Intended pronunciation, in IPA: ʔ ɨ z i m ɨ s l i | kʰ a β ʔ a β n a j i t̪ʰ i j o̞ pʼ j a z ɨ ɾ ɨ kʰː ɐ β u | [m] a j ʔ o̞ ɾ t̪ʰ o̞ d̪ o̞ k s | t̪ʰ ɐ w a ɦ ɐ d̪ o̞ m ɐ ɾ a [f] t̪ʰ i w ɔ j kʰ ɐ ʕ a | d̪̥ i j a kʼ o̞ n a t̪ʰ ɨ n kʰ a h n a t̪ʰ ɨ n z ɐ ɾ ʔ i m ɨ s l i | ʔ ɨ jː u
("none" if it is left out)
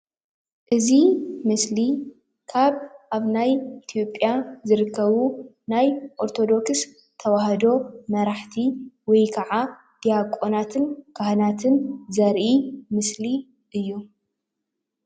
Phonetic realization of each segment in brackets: n, ħ

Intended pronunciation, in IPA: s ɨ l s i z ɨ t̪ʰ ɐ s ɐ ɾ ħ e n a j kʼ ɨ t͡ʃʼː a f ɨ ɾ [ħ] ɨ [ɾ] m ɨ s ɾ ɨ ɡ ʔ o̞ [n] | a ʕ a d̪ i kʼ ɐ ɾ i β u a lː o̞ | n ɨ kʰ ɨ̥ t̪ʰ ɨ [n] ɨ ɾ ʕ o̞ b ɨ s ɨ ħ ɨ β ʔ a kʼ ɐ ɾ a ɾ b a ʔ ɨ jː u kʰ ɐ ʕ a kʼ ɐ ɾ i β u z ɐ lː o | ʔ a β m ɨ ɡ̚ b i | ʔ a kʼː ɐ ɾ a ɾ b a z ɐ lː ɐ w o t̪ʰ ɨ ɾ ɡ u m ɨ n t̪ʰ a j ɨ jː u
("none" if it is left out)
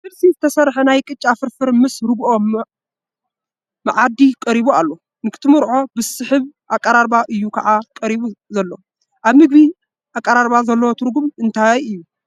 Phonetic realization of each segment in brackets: f, ɾ, m, m

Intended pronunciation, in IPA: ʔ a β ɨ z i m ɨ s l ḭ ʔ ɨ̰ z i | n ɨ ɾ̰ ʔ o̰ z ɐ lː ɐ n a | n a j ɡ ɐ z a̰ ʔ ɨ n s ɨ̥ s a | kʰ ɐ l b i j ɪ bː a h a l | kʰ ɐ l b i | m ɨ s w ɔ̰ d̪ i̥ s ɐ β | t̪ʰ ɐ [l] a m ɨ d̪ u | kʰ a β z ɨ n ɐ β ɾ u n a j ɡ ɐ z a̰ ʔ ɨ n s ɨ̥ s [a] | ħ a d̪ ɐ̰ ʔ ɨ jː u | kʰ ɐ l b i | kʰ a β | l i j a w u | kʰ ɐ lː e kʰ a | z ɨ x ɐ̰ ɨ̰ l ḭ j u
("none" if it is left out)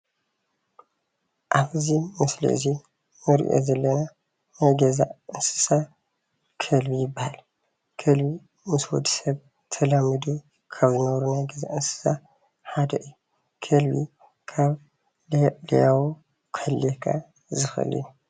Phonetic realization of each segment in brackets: l, a

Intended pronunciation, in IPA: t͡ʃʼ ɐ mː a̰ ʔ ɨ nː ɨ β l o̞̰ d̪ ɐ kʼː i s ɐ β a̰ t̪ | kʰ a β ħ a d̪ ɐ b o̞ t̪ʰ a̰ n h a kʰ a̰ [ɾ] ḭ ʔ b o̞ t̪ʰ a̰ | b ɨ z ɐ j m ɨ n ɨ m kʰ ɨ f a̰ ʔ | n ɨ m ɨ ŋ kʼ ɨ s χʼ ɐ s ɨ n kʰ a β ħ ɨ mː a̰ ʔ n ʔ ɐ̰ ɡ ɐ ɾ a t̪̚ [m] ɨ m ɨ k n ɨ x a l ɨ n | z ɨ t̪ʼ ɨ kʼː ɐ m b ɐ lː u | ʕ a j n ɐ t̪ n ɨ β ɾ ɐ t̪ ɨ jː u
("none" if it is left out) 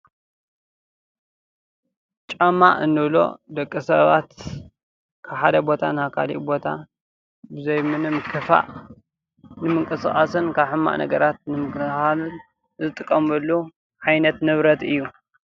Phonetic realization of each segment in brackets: l, n

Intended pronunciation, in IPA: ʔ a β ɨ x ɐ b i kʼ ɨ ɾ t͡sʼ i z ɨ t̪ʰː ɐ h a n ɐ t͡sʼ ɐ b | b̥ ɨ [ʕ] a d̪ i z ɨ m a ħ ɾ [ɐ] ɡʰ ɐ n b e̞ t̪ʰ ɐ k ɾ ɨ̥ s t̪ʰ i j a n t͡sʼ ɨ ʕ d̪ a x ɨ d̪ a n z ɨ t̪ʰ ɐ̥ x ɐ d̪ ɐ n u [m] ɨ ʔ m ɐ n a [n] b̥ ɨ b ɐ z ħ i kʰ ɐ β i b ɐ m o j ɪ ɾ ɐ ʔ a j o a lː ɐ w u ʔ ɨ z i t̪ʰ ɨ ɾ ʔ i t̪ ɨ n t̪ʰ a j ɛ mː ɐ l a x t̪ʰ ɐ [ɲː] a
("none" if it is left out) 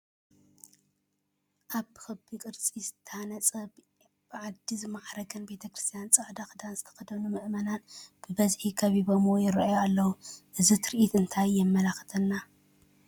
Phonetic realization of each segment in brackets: ʕ, ɐ, m, n, nː

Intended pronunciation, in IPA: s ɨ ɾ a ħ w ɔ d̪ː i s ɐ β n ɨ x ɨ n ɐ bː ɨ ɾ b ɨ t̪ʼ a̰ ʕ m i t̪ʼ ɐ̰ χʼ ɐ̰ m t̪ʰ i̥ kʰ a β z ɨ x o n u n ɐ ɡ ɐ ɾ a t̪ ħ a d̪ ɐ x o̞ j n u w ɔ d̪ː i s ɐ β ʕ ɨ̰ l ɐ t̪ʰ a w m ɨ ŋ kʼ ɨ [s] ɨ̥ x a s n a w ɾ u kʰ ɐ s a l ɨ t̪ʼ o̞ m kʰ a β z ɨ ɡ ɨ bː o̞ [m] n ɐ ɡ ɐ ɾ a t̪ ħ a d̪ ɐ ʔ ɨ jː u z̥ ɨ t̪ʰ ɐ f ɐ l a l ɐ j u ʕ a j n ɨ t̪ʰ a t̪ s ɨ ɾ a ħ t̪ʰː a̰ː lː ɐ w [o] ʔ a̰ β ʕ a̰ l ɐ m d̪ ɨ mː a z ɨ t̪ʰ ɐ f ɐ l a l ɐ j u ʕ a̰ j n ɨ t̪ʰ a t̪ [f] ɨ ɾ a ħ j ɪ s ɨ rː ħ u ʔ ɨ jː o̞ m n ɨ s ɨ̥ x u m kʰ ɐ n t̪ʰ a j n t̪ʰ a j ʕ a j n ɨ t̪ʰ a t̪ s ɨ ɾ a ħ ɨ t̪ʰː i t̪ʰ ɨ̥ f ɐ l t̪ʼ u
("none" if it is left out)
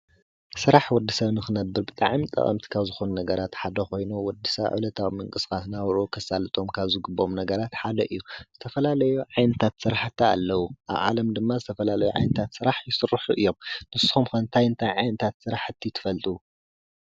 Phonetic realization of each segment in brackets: s, m, u, s

